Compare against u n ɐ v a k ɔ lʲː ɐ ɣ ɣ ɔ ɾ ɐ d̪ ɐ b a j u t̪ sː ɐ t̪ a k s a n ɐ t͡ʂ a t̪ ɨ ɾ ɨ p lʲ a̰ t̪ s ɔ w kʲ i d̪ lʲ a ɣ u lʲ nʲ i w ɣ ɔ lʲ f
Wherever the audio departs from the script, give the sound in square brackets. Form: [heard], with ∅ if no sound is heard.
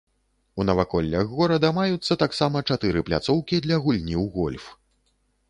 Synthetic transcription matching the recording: u n ɐ v a k ɔ lʲː ɐ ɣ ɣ ɔ ɾ ɐ d̪ ɐ [m] a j u t̪ sː ɐ t̪ a k s a [m] ɐ t͡ʂ a t̪ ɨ ɾ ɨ p lʲ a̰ t̪ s ɔ w kʲ i d̪ lʲ [ɐ] ɣ u lʲ nʲ i w ɣ ɔ lʲ f